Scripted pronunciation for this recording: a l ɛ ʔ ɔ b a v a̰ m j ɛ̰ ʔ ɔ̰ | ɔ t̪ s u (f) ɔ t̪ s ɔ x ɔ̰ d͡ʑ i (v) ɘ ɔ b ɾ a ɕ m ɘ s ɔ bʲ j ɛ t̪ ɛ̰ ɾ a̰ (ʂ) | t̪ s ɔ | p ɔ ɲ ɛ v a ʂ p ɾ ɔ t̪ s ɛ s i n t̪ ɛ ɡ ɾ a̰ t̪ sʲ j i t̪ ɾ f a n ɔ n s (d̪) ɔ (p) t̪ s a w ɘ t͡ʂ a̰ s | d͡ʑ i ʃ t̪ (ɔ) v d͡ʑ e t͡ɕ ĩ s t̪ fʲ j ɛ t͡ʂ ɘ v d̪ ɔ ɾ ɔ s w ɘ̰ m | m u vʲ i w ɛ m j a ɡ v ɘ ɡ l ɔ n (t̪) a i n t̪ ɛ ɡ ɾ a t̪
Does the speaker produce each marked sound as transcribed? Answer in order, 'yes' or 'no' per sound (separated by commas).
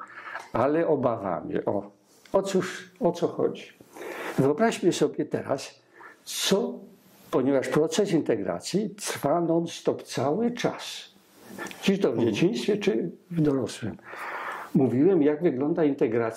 no, yes, no, no, yes, yes, no